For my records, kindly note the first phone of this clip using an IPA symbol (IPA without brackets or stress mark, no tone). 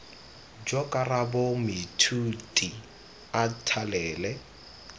d͡ʒ